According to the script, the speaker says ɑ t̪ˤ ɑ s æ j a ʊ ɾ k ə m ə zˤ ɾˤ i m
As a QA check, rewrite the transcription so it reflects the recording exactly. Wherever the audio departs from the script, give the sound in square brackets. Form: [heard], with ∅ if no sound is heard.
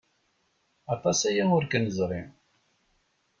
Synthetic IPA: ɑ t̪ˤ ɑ s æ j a ʊ ɾ k ə [n] ə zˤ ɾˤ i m